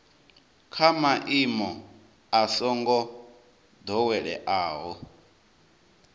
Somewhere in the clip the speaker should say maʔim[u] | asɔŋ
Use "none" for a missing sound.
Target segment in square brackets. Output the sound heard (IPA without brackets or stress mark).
ɔ